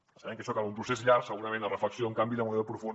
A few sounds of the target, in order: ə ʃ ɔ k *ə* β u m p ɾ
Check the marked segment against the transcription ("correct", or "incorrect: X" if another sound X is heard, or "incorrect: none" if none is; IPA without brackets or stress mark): incorrect: a